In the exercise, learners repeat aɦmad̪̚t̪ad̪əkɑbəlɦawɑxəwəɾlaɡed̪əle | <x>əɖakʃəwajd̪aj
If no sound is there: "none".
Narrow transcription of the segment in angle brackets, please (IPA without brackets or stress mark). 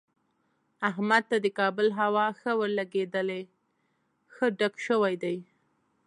x